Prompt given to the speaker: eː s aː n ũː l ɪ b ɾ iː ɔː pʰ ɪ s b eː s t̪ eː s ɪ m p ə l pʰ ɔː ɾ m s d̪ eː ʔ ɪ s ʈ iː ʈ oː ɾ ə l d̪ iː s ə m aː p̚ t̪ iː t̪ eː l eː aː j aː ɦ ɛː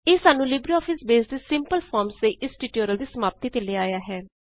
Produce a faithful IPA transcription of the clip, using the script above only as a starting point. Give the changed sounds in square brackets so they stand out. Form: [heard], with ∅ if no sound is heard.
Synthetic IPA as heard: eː s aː n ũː l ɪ b ɾ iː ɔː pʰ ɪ s b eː s [d̪] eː s ɪ m p ə l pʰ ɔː ɾ m s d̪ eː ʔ ɪ s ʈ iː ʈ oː ɾ ə l d̪ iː s ə m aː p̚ t̪ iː t̪ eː l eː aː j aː ɦ ɛː